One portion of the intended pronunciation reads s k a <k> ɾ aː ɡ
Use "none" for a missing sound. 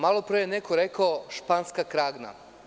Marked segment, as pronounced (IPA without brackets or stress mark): k